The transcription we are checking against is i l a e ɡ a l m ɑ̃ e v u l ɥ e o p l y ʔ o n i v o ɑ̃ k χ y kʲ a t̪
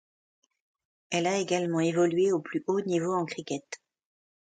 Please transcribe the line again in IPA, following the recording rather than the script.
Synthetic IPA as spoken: ɛ l a e ɡ a l m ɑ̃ e v ɔ l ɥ e o p l y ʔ o n i v o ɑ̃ k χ i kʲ ɛ t̪